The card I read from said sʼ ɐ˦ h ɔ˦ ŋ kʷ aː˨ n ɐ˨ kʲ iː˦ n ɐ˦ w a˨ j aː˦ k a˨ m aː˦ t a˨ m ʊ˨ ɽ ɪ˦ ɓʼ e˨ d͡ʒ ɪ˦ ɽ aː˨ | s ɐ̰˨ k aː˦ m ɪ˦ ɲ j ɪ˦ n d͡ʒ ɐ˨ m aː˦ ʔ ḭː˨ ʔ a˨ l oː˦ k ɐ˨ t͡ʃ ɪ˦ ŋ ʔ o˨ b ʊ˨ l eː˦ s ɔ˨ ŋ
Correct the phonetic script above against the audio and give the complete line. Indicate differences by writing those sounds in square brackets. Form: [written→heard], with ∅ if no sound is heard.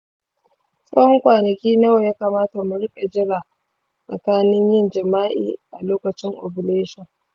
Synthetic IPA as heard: sʼ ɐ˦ h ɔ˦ ŋ kʷ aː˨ n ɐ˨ kʲ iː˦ n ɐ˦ w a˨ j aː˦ k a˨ m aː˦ t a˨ m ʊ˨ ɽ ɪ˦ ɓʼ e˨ d͡ʒ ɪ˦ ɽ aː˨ | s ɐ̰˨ k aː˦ [m→n] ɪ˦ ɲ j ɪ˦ n d͡ʒ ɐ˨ m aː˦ ʔ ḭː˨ ʔ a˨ l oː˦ k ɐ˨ t͡ʃ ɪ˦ ŋ ʔ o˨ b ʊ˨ l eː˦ [s→ʃ] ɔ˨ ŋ